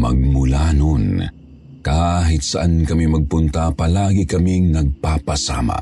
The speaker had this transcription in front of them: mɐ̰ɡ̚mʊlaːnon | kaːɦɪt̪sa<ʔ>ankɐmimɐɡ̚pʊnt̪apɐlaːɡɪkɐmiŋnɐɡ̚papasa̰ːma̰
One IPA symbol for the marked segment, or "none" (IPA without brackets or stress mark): ʔ